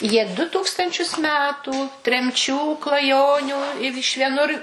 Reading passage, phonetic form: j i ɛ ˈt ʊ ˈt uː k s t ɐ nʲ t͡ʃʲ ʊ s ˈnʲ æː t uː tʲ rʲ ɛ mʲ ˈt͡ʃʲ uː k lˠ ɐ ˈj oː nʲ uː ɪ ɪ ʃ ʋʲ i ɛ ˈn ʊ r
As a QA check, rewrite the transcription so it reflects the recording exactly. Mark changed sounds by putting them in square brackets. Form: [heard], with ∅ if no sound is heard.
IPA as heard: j i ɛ [ˈd] ʊ ˈt uː k s t ɐ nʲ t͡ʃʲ ʊ s [ˈmʲ] æː t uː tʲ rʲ ɛ mʲ ˈt͡ʃʲ uː k lˠ ɐ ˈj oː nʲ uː ɪ ɪ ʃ ʋʲ i ɛ ˈn ʊ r